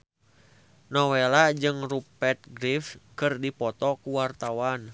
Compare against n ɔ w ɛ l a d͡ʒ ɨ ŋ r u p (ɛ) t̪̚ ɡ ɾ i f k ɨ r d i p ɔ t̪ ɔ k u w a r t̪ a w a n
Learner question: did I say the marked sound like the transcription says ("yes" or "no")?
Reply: yes